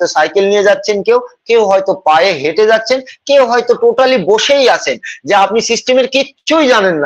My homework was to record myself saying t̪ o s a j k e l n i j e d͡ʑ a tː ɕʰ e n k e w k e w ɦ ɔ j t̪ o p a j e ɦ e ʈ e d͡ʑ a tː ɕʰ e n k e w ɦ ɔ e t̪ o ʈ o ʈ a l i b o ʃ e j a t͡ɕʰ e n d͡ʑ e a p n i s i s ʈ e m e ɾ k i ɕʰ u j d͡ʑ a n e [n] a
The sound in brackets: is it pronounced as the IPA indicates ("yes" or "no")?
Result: no